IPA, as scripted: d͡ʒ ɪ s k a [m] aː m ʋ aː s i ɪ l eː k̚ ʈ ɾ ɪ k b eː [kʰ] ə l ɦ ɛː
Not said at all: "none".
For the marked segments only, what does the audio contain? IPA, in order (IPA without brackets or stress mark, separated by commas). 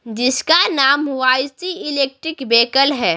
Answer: n, k